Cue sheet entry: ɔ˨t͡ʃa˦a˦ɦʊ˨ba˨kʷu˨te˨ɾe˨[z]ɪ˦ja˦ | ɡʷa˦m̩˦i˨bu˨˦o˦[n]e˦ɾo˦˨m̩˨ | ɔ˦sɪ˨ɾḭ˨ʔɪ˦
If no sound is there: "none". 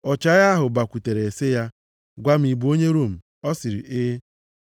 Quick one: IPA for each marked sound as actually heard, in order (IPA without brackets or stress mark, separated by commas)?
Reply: s, ɲ